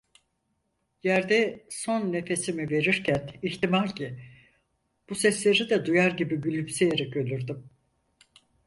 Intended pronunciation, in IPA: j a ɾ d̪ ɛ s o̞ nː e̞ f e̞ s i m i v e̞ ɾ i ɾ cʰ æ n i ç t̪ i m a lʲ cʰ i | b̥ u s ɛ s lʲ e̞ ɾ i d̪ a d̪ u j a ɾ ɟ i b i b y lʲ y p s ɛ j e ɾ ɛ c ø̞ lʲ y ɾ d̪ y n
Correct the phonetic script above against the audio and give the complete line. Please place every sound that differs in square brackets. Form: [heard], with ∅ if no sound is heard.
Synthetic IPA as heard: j [æ] ɾ d̪ ɛ s o̞ nː e̞ f e̞ s i m i v e̞ ɾ i ɾ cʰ æ n i ç t̪ i m a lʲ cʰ i | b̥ u s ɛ s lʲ e̞ ɾ i d̪ [ɛ] d̪ u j a ɾ ɟ i b i b y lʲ y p s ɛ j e ɾ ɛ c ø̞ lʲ y ɾ d̪ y [m]

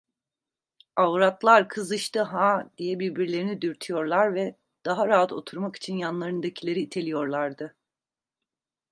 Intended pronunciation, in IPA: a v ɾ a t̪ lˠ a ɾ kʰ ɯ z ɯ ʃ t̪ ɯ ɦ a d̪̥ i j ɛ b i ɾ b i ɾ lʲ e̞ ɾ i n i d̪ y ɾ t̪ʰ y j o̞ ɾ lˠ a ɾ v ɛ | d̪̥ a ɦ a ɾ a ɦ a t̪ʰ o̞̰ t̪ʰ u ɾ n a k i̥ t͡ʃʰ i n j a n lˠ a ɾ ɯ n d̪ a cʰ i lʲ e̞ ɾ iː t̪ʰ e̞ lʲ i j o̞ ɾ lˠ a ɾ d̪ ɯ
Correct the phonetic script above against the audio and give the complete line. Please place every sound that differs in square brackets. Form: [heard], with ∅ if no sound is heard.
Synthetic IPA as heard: a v ɾ a t̪ lˠ a ɾ kʰ ɯ z ɯ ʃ t̪ ɯ ɦ a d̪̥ i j ɛ b i ɾ b i ɾ lʲ e̞ ɾ i n i d̪ y ɾ t̪ʰ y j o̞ ɾ lˠ a ɾ v ɛ | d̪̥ a ɦ a ɾ a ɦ a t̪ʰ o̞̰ t̪ʰ u ɾ [m] a k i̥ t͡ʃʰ i n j a n lˠ a ɾ ɯ n d̪ a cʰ i lʲ e̞ ɾ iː t̪ʰ e̞ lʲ i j o̞ ɾ lˠ a ɾ d̪ ɯ

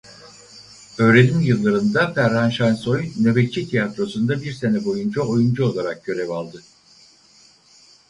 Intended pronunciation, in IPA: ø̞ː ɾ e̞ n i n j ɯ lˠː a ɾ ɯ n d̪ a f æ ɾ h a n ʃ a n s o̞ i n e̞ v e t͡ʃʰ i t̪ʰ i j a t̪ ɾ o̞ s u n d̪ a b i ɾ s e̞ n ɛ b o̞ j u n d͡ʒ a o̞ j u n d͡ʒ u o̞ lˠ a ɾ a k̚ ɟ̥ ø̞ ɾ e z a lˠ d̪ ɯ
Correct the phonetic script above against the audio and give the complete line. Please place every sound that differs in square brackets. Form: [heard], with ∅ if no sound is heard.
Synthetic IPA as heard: ø̞ː ɾ e̞ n i [m] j ɯ lˠː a ɾ ɯ n d̪ a f æ ɾ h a n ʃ a n s o̞ [j] n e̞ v e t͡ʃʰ i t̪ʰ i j a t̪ ɾ o̞ s u n d̪ a b i ɾ s e̞ n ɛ b o̞ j u n d͡ʒ a o̞ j u n d͡ʒ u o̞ lˠ a ɾ a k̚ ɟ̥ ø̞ ɾ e [v] a lˠ d̪ ɯ

